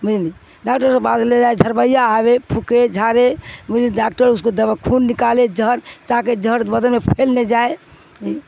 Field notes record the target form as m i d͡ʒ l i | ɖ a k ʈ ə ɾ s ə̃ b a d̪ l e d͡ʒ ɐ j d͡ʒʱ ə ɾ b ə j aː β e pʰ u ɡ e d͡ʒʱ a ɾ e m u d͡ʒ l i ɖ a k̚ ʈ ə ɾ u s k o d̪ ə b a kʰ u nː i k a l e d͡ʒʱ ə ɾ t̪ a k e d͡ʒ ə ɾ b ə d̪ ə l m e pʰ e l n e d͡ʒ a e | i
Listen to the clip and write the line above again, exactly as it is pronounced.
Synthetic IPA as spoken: m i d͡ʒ l i | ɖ a k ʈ ə ɾ s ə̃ b a d̪ l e d͡ʒ a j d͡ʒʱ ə ɾ b ə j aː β e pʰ u k e d͡ʒʱ a ɾ e m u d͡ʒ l i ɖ a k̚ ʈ ə ɾ u s k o d̪ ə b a kʰ u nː i k a l e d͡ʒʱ ə ɾ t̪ a k e d͡ʒ ə ɾ b ə d̪ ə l m e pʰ e l n e d͡ʒ a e | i